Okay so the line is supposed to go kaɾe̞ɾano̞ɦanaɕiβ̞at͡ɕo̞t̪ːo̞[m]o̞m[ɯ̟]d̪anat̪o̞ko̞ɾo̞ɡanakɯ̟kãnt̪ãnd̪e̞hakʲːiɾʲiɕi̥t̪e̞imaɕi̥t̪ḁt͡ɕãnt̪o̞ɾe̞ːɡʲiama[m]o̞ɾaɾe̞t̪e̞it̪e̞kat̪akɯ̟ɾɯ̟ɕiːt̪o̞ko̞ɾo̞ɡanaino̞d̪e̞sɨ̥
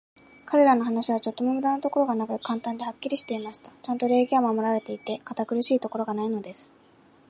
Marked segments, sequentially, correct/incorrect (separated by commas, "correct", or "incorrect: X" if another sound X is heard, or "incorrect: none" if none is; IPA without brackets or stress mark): correct, correct, correct